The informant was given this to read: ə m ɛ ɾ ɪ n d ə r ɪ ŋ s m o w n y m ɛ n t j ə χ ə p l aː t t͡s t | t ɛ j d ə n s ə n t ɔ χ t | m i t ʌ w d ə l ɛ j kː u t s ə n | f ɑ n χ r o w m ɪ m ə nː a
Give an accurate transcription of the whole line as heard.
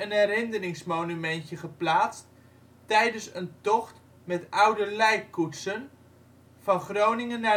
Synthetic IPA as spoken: ə n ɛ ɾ ɪ n d ə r ɪ ŋ s m o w n y m ɛ n t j ə χ ə p l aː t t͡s t | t ɛ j d ə n s ə n t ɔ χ t | m ɛ t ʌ w d ə l ɛ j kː u t s ə n | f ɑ n χ r o w n ɪ ŋ ə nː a

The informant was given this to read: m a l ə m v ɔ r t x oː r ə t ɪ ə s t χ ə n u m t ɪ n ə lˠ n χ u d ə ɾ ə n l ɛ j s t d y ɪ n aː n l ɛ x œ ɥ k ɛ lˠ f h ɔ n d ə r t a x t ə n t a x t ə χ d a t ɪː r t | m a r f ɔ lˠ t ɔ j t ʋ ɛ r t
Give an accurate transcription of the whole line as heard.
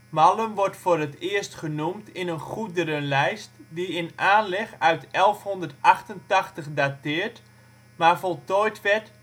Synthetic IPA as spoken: m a l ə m ʋ ɔ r t f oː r ə t ɪ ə s t χ ə n u m t ɪ n ə n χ u d ə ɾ ə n l ɛ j s t d i ɪ n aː n l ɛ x œ ɥ t ɛ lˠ f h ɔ n d ə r t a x t ə n t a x t ə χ d a t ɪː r t | m a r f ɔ lˠ t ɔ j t ʋ ɛ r t

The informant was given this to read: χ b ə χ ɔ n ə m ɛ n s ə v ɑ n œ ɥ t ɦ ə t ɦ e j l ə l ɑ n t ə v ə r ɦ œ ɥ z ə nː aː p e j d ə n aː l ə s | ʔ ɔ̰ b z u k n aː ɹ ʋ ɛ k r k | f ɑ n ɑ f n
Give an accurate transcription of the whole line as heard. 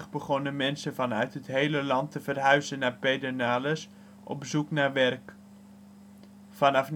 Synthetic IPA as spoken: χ b ə χ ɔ n ə m ɛ n s ə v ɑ n œ ɥ t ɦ ə t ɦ e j l ə l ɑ n t ə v ə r ɦ œ ɥ z ə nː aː p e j d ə n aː l ə s | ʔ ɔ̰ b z u k n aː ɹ ʋ ɛ r k | f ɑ n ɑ f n

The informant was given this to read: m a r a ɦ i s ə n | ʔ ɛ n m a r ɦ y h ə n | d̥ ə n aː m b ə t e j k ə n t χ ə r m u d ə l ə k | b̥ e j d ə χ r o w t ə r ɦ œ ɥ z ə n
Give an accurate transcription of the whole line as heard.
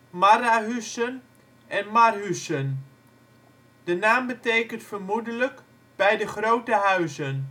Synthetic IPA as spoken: m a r a ɦ y s ə n | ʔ ɛ n m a r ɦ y s ə n | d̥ ə n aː m b ə t e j k ə n t f ə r m u d ə l ə k | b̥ ɛ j d ə χ r o w t ə ɦ œ ɥ z ə n

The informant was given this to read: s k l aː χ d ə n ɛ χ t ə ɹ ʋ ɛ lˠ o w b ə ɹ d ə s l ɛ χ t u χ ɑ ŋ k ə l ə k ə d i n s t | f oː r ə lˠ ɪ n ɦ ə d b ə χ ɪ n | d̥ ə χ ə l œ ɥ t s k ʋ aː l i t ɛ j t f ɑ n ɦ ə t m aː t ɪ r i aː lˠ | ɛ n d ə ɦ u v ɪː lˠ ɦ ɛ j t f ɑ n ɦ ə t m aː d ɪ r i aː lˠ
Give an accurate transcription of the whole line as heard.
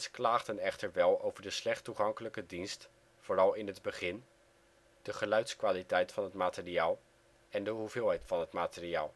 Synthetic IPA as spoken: s k l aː χ d ə n ɛ χ t ə ɹ ʋ ɛ lˠ o w v ə ɹ d ə s l ɛ χ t u χ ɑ ŋ k ə l ə k ə d i n s t | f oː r ɑ lˠ ɪ n ɦ ə d b ə χ ɪ n | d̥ ə χ ə l œ ɥ t s k ʋ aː l i t ɛ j t f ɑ n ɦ ə t m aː t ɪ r i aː lˠ | ɛ n d ə ɦ u v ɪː lˠ ɦ ɛ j t f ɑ n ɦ ə t m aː t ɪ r i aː lˠ

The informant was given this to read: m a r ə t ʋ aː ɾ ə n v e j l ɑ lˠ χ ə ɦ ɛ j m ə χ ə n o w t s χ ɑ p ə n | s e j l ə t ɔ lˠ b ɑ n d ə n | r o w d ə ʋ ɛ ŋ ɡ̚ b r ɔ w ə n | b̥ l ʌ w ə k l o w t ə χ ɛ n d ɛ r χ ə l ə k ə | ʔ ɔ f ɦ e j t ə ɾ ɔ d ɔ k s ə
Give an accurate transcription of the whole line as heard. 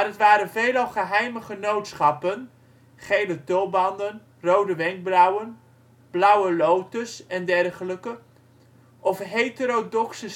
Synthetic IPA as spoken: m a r ə t ʋ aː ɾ ə n v e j l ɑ lˠ χ ə ɦ ɛ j m ə χ ə n o w t s χ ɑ p ə n | χ e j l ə t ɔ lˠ b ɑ n d ə n | r o w d ə ʋ ɛ ŋ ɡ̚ b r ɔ w ə n | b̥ l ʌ w ə l o w t ə s ɛ n d ɛ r χ ə l ə k ə | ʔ ɔ f ɦ e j t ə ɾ o d ɔ k s ə

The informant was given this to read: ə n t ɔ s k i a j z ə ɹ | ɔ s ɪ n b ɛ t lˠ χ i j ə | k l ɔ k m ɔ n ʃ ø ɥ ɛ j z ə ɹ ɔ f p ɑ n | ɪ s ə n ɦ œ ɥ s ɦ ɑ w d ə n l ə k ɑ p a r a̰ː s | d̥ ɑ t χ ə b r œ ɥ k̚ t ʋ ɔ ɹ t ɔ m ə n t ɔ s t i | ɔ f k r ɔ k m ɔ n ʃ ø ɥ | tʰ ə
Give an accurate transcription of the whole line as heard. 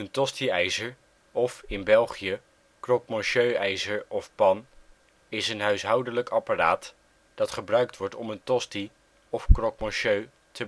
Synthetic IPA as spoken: ə n t ɔ s t i ɛ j z ə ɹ | ɔ f ɪ n b ɛ lˠ χ i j ə | k r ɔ k m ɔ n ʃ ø ɥ ɛ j z ə ɹ ɔ f p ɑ n | ɪ s ə n ɦ œ ɥ s ɦ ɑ w d ə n l ə k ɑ p a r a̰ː t | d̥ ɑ t χ ə b r œ ɥ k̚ t ʋ ɔ ɹ t ɔ m ə n t ɔ s t i | ɔ f k r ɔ k m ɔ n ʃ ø ɥ | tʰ ə

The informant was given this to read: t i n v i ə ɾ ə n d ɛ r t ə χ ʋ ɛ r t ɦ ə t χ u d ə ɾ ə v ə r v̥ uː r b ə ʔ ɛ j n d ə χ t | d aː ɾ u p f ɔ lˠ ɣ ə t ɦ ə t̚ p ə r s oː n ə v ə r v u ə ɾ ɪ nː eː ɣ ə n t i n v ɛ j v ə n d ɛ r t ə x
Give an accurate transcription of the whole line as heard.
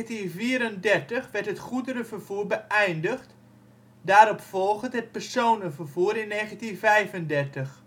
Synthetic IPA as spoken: t i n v i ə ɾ ə n d ɛ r t ə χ ʋ ɛ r t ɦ ə t χ u d ə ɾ ə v ə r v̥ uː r b ə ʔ ɛ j n d ə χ t | d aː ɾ ɔ p f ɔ lˠ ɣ ə t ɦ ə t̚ p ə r s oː n ə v ə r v u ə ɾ ɪ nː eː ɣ ə n t i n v ɛ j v ə n d ɛ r t ə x

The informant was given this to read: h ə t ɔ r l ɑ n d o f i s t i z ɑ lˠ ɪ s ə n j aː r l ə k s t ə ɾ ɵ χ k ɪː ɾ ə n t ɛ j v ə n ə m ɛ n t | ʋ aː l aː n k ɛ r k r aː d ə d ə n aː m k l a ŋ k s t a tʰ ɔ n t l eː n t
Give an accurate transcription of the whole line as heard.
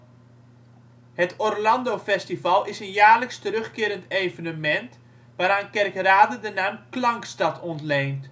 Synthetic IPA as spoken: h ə t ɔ r l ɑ n d o f ɛ s t i v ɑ lˠ ɪ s ə n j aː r l ə k s t ə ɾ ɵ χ k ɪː ɾ ə n t e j v ə n ə m ɛ n t | ʋ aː ɾ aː n k ɛ r k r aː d ə d ə n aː m k l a ŋ k s t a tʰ ɔ n t l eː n t

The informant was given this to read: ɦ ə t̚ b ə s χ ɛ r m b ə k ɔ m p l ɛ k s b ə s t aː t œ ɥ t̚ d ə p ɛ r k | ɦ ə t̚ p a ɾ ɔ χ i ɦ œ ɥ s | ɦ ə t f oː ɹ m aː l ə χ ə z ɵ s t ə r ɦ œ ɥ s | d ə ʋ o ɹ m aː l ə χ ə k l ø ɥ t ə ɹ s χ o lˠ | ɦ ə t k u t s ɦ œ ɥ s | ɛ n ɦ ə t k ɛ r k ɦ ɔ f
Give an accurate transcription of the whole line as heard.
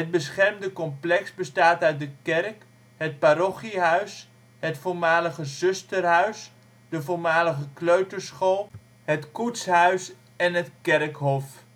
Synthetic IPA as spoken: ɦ ə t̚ b ə s χ ɛ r m d ə k ɔ m p l ɛ k s b ə s t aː t œ ɥ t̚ d ə k ɛ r k | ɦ ə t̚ p a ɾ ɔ χ i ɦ œ ɥ s | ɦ ə t f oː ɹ m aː l ə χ ə z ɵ s t ə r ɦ œ ɥ s | d ə v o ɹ m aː l ə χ ə k l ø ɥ t ə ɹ s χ o lˠ | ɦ ə t k u t s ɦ œ ɥ s | ɛ n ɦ ə t k ɛ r k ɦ ɔ f

